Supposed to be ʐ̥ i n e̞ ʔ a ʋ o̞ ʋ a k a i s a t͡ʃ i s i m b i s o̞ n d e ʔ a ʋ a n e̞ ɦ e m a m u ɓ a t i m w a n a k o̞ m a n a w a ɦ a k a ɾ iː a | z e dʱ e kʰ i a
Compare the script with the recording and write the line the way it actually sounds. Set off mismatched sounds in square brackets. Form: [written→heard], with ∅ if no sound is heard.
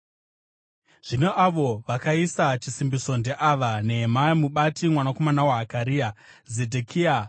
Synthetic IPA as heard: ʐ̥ i n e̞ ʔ a ʋ o̞ ʋ a k a i s a t͡ʃ i s i m b i s o̞ n d e ʔ a ʋ a n e̞ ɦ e m a m u ɓ a t i m w a n a k o̞ m a n a w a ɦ a k a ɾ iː a | z e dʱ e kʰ i a